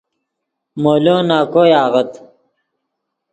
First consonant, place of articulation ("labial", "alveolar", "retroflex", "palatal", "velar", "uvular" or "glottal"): labial